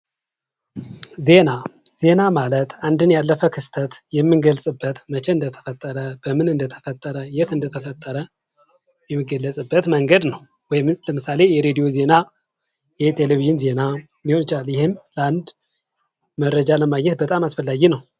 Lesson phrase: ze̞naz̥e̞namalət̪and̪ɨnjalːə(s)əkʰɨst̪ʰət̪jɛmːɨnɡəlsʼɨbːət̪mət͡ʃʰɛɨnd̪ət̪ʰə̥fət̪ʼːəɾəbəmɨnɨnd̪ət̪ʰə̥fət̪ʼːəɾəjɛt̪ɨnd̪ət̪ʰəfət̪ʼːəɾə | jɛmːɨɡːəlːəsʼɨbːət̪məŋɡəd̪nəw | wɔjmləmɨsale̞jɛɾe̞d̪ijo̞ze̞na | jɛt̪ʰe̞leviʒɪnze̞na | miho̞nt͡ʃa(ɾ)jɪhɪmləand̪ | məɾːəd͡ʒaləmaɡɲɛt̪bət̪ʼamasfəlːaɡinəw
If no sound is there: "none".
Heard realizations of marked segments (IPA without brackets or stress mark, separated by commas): f, l